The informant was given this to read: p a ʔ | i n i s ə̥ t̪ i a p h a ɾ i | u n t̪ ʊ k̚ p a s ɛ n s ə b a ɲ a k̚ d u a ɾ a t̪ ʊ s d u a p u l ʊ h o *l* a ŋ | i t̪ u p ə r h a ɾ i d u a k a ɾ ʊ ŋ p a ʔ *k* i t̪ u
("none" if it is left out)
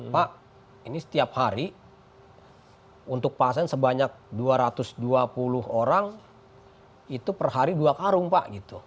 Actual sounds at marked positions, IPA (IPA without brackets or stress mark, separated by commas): ɾ, ɡ